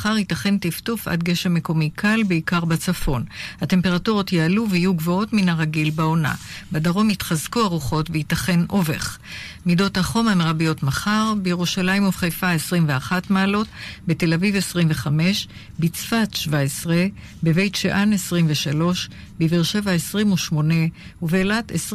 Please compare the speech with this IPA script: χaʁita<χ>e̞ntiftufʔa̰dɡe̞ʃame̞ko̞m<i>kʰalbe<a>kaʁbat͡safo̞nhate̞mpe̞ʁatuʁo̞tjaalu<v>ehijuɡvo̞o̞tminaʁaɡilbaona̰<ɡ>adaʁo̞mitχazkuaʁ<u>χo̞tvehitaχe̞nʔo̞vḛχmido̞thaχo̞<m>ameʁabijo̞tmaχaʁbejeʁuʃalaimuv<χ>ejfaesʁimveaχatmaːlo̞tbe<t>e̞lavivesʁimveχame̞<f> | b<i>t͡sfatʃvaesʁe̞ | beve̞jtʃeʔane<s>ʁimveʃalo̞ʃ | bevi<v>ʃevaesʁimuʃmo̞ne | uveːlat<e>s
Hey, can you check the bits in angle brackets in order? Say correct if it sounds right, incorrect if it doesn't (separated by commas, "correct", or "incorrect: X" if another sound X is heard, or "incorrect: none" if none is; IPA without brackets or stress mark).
correct, correct, incorrect: i, correct, incorrect: b, correct, correct, correct, correct, incorrect: ʃ, correct, correct, incorrect: ʁ, correct